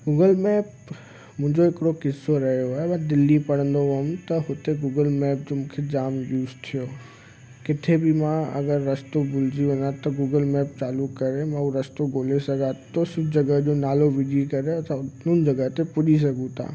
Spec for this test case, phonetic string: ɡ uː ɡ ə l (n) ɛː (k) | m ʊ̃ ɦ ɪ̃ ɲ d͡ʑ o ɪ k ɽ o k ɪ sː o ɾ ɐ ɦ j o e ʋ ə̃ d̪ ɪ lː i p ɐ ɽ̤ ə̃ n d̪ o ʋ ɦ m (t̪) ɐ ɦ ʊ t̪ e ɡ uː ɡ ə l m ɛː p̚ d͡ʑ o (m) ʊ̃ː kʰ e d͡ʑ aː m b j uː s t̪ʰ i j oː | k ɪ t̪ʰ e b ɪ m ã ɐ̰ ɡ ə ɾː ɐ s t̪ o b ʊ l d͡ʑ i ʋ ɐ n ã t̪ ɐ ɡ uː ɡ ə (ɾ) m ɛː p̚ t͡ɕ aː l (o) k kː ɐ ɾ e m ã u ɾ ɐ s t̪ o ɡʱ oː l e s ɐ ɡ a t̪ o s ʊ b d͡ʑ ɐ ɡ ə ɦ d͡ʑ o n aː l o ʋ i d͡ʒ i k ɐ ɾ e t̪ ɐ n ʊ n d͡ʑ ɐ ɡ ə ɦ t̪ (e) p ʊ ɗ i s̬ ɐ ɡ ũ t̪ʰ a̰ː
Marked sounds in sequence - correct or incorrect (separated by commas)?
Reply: incorrect, incorrect, correct, correct, incorrect, incorrect, correct